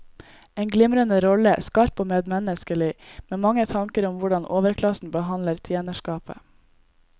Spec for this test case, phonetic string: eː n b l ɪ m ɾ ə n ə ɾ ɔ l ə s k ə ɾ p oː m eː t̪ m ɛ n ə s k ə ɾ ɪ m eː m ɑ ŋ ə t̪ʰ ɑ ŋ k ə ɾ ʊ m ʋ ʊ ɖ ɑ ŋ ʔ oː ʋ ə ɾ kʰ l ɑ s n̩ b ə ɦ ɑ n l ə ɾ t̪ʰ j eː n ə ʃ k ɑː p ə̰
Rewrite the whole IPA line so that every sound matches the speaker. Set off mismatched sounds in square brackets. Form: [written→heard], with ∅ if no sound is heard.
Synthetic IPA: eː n [b→ɡ] l ɪ m ɾ ə n ə ɾ ɔ l ə s k [ə→ɑ] ɾ p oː m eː [t̪→d̪] m ɛ n ə s k ə [ɾ→l] ɪ m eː m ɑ ŋ ə t̪ʰ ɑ ŋ k ə ɾ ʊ m ʋ ʊ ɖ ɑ [ŋ→n] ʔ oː ʋ ə ɾ kʰ l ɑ s n̩ b ə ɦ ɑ n l ə ɾ t̪ʰ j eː n ə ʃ k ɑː p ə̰